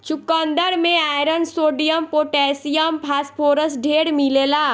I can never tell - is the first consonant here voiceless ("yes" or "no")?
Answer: yes